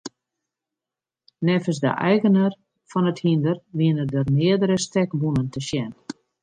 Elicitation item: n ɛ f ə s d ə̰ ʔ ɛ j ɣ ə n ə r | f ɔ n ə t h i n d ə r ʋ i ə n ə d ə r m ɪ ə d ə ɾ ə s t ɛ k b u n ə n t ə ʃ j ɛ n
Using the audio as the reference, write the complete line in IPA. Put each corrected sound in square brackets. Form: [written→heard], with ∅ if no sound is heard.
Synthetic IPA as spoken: n ɛ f ə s d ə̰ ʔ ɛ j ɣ ə n ə r | f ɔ n ə t h i n d ə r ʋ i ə n ə d ə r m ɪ ə d ə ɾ ə s t ɛ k b u n ə n t ə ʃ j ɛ n

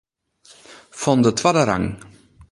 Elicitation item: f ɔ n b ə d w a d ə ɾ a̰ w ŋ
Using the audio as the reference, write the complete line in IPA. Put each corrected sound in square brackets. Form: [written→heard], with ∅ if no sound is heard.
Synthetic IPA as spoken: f ɔ n [b→d] ə [d→t] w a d ə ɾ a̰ [w→∅] ŋ

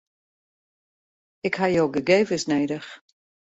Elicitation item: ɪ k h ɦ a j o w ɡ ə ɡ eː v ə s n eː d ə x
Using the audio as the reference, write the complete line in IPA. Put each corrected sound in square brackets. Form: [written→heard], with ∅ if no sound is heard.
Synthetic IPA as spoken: ɪ k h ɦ a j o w ɡ ə ɡ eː v ə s n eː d ə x

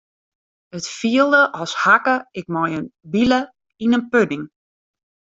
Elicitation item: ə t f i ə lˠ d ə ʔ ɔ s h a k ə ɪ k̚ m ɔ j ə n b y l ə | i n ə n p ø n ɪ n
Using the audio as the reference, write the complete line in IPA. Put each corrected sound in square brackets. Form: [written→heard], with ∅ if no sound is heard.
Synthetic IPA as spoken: ə t f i ə lˠ d ə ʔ ɔ s h a k ə ɪ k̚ m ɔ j ə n b [y→i] l ə | i n ə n p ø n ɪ [n→ŋ]

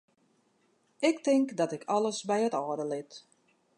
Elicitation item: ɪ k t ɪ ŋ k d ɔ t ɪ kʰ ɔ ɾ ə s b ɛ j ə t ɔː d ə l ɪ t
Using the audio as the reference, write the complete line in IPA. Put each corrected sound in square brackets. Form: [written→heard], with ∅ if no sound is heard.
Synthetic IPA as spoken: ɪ k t ɪ ŋ k d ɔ t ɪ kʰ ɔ [ɾ→l] ə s b ɛ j ə t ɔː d ə l ɪ t

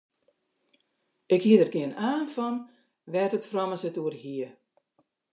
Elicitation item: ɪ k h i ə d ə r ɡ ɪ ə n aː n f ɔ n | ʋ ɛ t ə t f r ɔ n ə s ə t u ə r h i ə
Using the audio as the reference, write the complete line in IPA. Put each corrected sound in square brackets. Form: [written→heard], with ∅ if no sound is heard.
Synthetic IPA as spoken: ɪ k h i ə d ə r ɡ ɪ ə n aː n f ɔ n | ʋ ɛ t ə t f r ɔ [n→m] ə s ə t u ə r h i ə

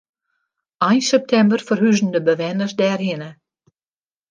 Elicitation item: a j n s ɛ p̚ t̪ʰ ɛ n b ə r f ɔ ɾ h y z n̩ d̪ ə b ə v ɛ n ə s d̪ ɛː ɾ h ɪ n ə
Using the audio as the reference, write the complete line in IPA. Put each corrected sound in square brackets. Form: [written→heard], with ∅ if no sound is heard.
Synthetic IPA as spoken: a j n s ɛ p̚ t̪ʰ ɛ [n→m] b ə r f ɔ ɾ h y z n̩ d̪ ə b ə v ɛ n ə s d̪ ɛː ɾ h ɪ n ə

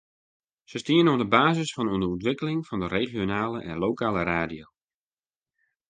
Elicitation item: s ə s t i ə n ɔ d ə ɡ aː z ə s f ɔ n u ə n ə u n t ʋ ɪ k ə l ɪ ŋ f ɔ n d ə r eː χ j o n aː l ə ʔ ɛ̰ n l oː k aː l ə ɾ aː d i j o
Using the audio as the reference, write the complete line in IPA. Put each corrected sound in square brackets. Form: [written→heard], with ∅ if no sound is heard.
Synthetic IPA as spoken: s ə s t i ə n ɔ d ə [ɡ→b] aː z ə s f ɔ n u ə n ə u n t ʋ ɪ k ə l ɪ ŋ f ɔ n d ə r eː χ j o n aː l ə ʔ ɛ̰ n l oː k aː l ə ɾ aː d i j o

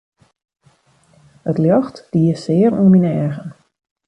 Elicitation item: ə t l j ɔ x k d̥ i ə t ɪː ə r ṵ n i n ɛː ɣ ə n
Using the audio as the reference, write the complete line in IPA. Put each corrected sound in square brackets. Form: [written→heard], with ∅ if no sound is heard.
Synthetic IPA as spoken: ə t l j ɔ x [k→t] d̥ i ə [t→s] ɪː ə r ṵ [n→m] i n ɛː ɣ ə n

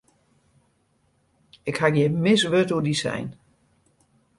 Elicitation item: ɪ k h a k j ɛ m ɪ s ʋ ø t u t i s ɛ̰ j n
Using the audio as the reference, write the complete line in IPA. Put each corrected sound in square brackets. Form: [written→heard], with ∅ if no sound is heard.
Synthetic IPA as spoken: ɪ k h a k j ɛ m ɪ s ʋ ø t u [t→d] i s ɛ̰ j n

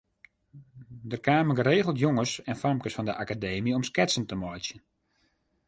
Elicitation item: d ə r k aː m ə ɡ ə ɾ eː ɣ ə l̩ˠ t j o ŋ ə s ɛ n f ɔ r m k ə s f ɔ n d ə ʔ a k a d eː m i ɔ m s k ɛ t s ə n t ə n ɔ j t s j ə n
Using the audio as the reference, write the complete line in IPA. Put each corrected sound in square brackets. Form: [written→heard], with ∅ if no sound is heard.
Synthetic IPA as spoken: d ə r k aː m ə ɡ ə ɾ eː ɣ ə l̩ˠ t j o ŋ ə s ɛ n f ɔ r m k ə s f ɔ n d ə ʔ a k a d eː m i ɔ m s k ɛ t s ə n t ə [n→m] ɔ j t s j ə n

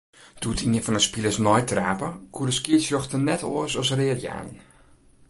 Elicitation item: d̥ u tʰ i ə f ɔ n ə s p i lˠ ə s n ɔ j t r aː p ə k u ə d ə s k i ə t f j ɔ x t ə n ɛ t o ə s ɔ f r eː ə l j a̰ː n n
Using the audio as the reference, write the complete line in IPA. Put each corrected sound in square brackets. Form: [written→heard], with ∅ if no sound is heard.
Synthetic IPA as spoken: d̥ u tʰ i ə f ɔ n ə s p i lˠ ə s n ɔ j t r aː p ə k u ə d ə s k i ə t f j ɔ x t ə n ɛ t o ə s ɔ [f→s] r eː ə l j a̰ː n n

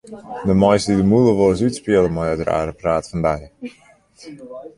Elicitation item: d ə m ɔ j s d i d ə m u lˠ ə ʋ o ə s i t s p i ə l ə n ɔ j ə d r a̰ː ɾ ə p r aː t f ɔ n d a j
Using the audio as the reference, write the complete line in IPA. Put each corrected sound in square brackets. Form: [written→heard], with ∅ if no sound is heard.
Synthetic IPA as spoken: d ə m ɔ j s d i d ə m u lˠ ə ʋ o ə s [i→y] t s p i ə l ə [n→m] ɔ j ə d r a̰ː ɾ ə p r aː t f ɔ n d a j

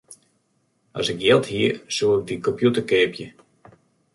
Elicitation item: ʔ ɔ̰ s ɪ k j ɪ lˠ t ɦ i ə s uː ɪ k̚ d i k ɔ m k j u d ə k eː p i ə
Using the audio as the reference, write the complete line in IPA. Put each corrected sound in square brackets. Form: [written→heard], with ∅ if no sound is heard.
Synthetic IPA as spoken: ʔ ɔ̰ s ɪ k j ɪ lˠ t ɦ i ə s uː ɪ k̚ d i k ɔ m [k→p] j u [d→t] ə k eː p [i→j] ə

